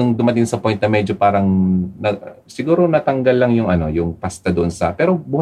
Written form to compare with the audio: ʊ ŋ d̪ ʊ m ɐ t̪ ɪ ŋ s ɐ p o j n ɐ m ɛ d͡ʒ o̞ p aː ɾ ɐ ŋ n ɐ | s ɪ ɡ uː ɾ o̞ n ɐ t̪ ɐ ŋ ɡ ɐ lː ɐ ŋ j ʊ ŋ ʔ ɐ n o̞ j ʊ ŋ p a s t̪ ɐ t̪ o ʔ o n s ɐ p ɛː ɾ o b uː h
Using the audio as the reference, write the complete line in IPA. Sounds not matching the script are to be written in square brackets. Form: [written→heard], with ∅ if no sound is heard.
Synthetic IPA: ʊ ŋ d̪ ʊ m ɐ t̪ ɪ ŋ s ɐ p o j n ɐ m ɛ d͡ʒ o̞ p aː ɾ ɐ ŋ n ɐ | s ɪ ɡ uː ɾ o̞ n ɐ t̪ ɐ ŋ ɡ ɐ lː ɐ ŋ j ʊ ŋ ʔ ɐ n o̞ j ʊ ŋ p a s t̪ ɐ [t̪→d̪] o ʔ o n s ɐ p ɛː ɾ o b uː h